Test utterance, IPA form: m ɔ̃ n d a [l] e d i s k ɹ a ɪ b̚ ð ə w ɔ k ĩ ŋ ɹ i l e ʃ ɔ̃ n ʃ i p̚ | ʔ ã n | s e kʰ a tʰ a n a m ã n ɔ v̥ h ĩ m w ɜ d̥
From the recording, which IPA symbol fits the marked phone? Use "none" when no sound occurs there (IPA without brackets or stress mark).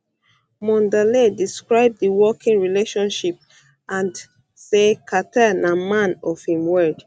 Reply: l